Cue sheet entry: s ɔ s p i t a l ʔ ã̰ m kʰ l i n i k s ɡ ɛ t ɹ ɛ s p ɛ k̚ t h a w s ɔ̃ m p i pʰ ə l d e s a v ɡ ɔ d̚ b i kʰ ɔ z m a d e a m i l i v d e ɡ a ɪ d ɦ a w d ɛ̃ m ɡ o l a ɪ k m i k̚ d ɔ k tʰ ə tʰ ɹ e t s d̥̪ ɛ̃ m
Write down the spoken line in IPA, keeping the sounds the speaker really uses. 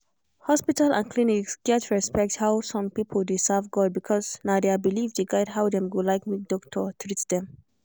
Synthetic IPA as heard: h ɔ s p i t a l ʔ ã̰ n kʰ l i n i k s ɡ ɛ t ɹ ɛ s p ɛ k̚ t h a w s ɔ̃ m p i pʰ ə l d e s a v ɡ ɔ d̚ b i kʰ ɔ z n a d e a b i l i v d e ɡ a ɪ d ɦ a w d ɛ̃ m ɡ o l a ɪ k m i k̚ d ɔ k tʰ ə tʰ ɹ i t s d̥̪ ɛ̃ m